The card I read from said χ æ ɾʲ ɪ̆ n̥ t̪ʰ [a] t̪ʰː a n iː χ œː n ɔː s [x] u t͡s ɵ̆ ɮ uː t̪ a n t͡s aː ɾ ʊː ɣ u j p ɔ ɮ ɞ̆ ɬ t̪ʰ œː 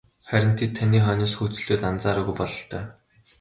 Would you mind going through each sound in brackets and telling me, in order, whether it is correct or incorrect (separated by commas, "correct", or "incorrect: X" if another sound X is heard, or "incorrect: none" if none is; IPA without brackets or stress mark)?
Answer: incorrect: e, correct